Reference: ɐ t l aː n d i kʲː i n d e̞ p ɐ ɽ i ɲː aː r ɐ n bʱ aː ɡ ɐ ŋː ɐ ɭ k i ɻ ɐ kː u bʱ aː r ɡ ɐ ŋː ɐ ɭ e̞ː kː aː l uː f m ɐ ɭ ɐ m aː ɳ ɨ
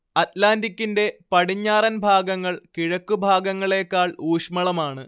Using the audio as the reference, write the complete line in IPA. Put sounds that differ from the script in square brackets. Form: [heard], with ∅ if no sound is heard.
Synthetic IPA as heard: ɐ t l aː n d i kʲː i n d e̞ p ɐ ɽ i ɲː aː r ɐ n bʱ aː ɡ ɐ ŋː ɐ ɭ k i ɻ ɐ kː u bʱ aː [∅] ɡ ɐ ŋː ɐ ɭ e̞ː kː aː [ɭ] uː [ʂ] m ɐ ɭ ɐ m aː ɳ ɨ